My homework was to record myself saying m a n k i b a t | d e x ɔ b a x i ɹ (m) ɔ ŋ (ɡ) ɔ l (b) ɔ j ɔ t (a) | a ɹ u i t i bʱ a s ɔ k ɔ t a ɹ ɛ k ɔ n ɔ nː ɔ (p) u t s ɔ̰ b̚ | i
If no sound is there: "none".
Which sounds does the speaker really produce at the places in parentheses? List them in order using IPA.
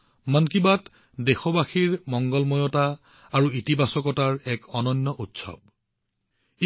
m, ɡ, m, a, ʔ

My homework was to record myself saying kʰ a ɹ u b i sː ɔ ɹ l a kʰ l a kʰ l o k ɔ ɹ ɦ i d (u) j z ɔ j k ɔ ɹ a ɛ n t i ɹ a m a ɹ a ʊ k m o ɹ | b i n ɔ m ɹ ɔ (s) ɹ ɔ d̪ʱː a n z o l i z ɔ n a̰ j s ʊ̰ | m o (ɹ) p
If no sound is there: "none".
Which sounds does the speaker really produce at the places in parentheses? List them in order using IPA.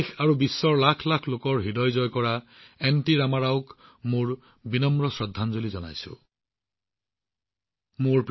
ɔ, s, ɹ

